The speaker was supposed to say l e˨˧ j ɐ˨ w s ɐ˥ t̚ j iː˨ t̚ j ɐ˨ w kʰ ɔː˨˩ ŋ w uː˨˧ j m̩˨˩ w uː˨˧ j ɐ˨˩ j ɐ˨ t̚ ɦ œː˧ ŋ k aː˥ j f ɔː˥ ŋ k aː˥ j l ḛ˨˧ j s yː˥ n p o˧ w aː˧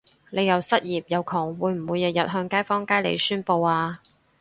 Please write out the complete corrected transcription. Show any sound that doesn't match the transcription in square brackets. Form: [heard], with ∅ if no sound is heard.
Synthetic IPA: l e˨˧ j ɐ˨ w s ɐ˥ t̚ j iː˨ [p̚] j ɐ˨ w kʰ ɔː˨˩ ŋ w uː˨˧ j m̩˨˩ w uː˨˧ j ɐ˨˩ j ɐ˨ t̚ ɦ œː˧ ŋ k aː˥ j f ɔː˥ ŋ k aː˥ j l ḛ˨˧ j s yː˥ n p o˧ w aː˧